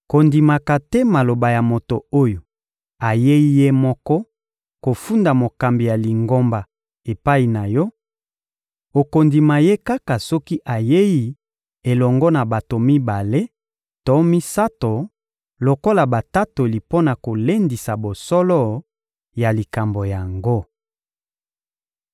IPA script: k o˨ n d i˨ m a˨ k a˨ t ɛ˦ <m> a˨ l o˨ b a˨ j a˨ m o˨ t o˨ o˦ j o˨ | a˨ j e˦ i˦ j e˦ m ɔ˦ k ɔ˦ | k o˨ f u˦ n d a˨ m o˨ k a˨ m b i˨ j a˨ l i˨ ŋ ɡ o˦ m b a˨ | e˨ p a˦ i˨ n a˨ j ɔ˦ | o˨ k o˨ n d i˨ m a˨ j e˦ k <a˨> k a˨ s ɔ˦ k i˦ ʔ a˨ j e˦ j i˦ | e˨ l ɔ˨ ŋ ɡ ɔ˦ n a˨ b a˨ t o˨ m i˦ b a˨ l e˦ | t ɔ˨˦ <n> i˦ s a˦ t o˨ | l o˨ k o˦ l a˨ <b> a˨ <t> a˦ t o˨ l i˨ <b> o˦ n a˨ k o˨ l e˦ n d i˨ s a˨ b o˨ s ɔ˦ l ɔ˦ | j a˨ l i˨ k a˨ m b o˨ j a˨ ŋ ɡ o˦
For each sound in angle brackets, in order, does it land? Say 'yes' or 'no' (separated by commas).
yes, no, no, yes, yes, no